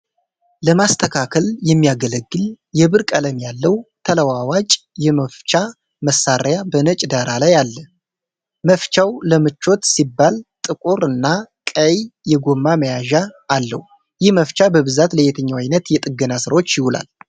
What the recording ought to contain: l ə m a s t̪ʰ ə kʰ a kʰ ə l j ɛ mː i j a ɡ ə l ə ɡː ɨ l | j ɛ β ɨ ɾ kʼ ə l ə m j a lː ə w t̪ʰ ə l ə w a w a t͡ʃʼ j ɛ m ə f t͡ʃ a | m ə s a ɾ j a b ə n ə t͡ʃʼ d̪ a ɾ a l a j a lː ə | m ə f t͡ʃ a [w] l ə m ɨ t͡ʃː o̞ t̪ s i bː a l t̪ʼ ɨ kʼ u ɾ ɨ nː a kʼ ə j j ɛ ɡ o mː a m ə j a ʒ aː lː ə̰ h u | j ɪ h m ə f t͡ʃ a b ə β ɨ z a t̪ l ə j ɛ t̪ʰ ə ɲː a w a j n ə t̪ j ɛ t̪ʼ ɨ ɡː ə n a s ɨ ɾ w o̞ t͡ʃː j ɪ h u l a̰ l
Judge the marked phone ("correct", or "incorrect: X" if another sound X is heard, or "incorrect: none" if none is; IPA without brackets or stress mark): correct